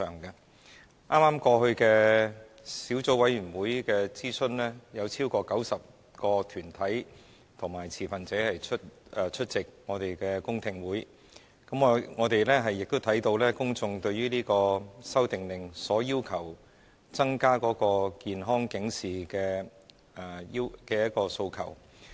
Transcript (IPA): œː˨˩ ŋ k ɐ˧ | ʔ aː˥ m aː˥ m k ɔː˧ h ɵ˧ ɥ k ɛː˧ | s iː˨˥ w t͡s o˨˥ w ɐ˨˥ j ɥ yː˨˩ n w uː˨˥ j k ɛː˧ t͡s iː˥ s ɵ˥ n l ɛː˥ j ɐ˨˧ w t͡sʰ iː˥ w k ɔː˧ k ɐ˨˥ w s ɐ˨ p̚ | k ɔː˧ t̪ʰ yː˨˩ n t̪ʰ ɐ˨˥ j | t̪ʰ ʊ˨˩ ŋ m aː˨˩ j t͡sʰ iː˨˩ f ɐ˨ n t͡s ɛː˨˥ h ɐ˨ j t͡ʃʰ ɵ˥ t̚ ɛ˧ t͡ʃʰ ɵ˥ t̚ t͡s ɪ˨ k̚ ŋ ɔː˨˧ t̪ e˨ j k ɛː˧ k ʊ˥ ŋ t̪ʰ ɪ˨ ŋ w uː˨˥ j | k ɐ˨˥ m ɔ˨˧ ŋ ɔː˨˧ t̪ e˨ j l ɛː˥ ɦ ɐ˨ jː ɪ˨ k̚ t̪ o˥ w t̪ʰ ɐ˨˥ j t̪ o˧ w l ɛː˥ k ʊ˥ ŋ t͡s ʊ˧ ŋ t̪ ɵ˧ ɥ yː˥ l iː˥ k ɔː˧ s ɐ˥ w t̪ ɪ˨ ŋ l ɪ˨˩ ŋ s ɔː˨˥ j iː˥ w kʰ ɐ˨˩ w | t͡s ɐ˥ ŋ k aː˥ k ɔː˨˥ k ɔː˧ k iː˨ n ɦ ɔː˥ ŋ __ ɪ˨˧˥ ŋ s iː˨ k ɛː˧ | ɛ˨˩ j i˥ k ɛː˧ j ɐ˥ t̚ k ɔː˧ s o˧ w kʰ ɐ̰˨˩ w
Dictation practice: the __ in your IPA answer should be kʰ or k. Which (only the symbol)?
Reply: k